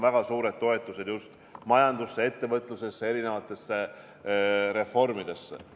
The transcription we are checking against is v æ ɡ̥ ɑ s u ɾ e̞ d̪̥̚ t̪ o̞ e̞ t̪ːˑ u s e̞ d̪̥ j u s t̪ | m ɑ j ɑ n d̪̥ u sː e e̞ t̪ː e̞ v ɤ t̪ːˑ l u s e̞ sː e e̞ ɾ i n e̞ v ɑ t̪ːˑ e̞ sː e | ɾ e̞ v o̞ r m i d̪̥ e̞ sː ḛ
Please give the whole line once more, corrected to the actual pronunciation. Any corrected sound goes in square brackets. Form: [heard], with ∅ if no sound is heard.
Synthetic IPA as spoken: v æ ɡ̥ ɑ s [uː] ɾ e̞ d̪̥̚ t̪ o̞ e̞ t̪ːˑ u s e̞ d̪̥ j u s t̪ | m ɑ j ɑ n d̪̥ u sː e e̞ t̪ː e̞ v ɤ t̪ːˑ l u s e̞ sː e e̞ ɾ i n e̞ v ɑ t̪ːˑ e̞ sː e | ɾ e̞ [f] o̞ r m i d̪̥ e̞ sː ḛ